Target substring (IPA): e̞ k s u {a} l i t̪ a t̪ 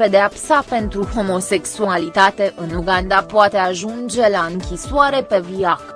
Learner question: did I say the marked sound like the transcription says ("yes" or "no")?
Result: yes